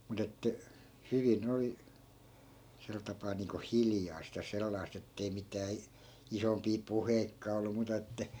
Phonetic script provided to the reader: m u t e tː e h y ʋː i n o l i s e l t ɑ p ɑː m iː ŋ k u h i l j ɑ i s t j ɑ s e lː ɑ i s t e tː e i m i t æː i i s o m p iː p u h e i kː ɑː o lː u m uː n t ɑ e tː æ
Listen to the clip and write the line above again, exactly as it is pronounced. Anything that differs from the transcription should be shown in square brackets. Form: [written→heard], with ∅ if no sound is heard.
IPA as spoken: m u t e tː [e→æ] h y [ʋː→ʋ] i n o l i s e l t ɑ p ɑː [m→n] iː ŋ k [u→o] h i l j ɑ i s t j ɑ s e lː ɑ i s t e tː e i m i t æː i i s o m p iː p u h e i kː ɑː o lː u m uː [n→∅] t ɑ e tː æ